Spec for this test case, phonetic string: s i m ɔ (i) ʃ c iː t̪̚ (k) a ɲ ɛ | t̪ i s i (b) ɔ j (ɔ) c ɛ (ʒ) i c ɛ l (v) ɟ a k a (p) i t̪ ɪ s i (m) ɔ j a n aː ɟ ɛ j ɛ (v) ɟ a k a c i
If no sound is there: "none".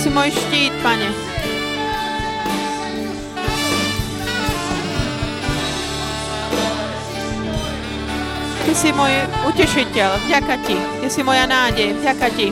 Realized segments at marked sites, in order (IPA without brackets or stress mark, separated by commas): j, p, m, u, ʃ, v, c, m, v